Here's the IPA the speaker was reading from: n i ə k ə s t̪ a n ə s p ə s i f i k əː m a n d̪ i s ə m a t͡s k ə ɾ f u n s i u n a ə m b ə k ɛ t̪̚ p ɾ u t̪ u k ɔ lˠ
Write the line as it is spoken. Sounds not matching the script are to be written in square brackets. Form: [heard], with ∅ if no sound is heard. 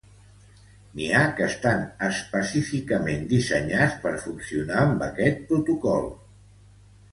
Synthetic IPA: n i [a] k ə s t̪ a n ə s p ə s i f i k [ə] m [e] n d̪ i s ə [ɲ] a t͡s [p] ə ɾ f u n s i u n a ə m b ə k ɛ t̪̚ p ɾ u t̪ u k ɔ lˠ

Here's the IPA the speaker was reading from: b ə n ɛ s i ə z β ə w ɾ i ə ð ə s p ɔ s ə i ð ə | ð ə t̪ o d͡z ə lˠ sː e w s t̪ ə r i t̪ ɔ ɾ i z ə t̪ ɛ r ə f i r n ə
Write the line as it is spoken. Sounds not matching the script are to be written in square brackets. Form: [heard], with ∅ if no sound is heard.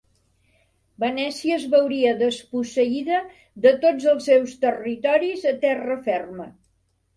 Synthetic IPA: b ə n ɛ s i ə z β ə w ɾ i ə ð ə s p [u] s ə i ð ə | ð ə t̪ o d͡z ə lˠ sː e w s t̪ ə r i t̪ ɔ ɾ i z ə t̪ ɛ r ə f [ɛ] r [m] ə

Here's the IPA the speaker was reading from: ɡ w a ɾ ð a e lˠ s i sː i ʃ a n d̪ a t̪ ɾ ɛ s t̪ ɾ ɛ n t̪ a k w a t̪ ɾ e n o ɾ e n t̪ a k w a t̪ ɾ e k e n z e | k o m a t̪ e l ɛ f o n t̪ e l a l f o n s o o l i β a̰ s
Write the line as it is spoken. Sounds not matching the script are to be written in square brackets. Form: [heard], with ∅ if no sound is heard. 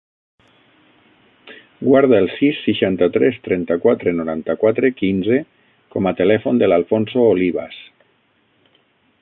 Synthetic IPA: ɡ w a ɾ ð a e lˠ s i sː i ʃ a n [t̪] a t̪ ɾ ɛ s t̪ ɾ ɛ n t̪ a k w a t̪ ɾ e n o ɾ [a] n t̪ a k w a t̪ ɾ e k [i] n z e | k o m a t̪ e l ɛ f o n [d̪] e l a l f o n s o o l i β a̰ s

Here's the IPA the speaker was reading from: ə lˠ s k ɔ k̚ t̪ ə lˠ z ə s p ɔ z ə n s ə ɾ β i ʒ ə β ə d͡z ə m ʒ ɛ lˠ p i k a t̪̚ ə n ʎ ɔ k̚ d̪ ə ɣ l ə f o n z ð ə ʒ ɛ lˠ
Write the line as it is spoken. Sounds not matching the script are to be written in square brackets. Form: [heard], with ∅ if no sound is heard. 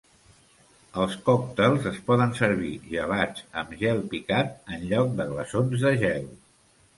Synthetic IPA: ə lˠ s k ɔ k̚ t̪ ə lˠ z ə s p ɔ [ð] ə n s ə ɾ β i ʒ ə β [a] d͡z ə m ʒ ɛ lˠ p i k a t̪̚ ə n ʎ ɔ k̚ d̪ ə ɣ l ə [s] o n z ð ə ʒ ɛ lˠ

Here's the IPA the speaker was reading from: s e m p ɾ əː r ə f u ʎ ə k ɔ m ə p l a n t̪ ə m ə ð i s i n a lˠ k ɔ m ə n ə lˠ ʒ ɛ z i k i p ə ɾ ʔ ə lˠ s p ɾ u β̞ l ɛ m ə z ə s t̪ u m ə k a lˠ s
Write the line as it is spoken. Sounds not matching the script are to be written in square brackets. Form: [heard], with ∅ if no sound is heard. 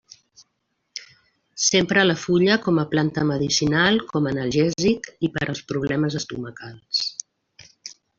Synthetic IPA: s e m p ɾ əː [l] ə f u ʎ ə k ɔ m ə p l a n t̪ ə m ə ð i s i n a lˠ k ɔ m ə n ə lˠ ʒ ɛ z i k i p ə ɾ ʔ ə lˠ s p ɾ u β̞ l ɛ m ə z ə s t̪ u m ə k a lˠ s

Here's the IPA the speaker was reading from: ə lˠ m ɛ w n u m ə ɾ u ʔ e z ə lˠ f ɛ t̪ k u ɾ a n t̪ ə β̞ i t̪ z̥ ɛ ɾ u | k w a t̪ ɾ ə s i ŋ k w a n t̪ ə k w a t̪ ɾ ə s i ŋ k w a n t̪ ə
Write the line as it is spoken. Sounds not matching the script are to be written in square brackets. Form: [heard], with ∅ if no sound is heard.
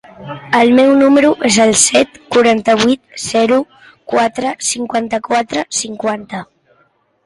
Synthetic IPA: ə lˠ m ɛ w n u m ə ɾ u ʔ e z ə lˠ [s] ɛ t̪ k u ɾ a n t̪ ə β̞ i t̪ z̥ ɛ ɾ u | k w a t̪ ɾ ə s i ŋ k w a n t̪ ə k w a t̪ ɾ ə s i ŋ k w a n t̪ ə

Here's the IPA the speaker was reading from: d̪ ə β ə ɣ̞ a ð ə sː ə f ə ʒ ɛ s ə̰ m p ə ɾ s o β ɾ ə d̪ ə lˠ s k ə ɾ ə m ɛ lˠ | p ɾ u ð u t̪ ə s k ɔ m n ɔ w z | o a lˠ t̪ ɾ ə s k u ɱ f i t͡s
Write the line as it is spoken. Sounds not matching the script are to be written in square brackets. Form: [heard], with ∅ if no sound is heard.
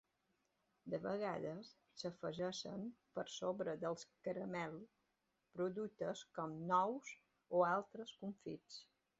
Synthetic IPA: d̪ ə β ə ɣ̞ a ð ə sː ə f ə ʒ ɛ [ʃ] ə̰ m p ə ɾ s o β ɾ ə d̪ ə lˠ s k ə ɾ ə m ɛ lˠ | p ɾ u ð u t̪ ə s k ɔ m n ɔ w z | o a lˠ t̪ ɾ ə s k u ɱ f i t͡s

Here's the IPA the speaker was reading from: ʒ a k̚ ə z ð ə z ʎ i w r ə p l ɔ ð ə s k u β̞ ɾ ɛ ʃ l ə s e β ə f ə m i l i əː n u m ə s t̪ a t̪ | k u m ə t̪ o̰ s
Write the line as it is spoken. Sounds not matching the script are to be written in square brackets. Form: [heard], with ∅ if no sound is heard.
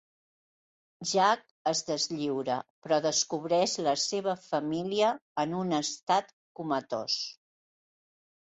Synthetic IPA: ʒ a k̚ ə z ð ə z ʎ i w [ɾ] ə p [ɾ] ɔ ð ə s k u β̞ ɾ ɛ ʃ l ə s e β ə f ə m i l i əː n u [n] ə s t̪ a t̪ | k u m ə t̪ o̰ s

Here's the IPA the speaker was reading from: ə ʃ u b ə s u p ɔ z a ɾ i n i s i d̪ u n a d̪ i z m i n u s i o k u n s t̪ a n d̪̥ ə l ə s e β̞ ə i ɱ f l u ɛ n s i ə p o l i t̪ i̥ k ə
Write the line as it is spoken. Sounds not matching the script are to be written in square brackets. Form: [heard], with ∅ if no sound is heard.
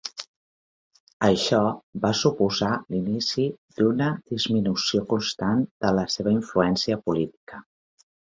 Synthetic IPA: ə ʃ [ɔ] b [a] s u p [u] z a [l] i n i s i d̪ u n [ə] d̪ i z m i n u s i o k u n s t̪ a n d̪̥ ə l ə s e β̞ ə i ɱ f l u ɛ n s i ə p [u] l i t̪ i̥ k ə

